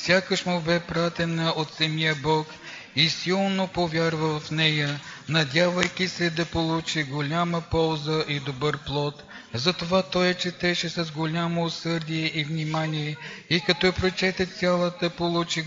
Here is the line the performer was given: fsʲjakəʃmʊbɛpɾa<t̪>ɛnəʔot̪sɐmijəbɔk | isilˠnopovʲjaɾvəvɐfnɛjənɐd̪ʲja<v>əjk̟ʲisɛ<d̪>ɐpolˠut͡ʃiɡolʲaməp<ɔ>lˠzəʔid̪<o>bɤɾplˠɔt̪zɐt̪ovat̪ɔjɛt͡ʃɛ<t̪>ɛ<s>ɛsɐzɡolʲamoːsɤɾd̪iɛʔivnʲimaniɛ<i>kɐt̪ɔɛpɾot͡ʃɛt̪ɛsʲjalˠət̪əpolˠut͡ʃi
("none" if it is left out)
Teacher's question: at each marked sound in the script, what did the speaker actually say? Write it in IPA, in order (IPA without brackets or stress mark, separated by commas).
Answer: t̪, v, d̪, ɔ, o, t̪, ʃ, i